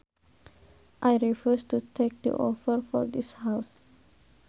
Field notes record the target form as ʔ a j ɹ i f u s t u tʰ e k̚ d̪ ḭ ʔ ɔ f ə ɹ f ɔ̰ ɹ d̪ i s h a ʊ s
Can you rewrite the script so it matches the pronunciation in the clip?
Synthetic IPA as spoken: ʔ a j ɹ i f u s t u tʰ e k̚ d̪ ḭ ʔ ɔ f ə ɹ f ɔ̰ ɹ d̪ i s h a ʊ s